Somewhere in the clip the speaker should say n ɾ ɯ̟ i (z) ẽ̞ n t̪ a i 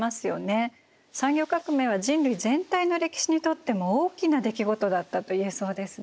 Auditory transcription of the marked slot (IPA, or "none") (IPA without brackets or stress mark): z